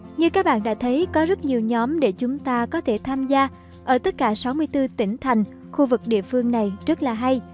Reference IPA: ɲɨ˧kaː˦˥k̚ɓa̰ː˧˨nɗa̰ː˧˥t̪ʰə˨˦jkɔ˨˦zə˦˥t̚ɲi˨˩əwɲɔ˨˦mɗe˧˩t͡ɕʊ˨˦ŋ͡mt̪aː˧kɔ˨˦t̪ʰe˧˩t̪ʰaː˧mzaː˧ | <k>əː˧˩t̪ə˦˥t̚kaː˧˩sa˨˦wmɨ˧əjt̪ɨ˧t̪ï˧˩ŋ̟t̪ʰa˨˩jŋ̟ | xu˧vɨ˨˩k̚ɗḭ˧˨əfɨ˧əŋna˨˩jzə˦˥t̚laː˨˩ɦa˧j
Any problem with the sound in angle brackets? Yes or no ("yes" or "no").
yes